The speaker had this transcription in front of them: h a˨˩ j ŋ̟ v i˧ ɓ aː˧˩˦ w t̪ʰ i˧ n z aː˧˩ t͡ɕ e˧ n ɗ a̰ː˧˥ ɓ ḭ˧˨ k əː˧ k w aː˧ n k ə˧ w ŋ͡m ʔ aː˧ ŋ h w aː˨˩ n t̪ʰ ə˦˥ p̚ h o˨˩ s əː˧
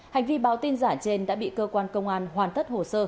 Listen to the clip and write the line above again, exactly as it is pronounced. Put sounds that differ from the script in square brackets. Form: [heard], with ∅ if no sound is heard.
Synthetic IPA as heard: h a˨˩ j ŋ̟ v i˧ ɓ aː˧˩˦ w [t̪] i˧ n z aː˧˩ t͡ɕ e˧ n ɗ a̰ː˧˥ ɓ ḭ˧˨ k əː˧ k w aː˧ n k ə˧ w ŋ͡m ʔ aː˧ [n] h w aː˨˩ n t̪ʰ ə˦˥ [t̚] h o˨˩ s əː˧